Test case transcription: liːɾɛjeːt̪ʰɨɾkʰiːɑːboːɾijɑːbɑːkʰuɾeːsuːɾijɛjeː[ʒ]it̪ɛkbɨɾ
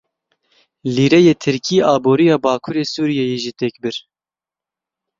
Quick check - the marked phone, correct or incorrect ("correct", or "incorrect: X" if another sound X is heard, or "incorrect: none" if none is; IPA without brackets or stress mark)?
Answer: correct